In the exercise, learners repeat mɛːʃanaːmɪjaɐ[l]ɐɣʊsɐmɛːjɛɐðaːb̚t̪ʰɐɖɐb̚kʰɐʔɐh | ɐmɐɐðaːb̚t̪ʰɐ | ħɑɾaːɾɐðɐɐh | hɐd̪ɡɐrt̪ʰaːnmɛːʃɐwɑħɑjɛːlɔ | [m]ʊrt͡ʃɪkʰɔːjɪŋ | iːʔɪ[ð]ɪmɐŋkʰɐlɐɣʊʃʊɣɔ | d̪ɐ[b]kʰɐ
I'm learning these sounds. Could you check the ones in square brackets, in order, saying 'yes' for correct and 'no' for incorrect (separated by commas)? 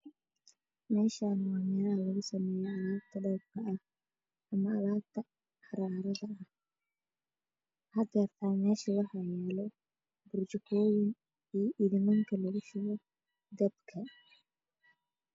yes, no, yes, yes